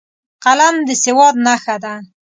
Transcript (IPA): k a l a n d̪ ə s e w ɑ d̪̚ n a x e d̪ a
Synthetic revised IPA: q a l a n d̪ ə s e w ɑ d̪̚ n a x a d̪ a